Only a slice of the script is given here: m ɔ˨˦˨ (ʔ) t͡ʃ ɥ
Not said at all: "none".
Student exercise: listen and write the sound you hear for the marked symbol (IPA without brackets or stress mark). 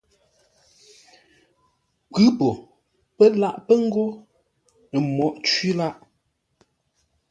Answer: ʔ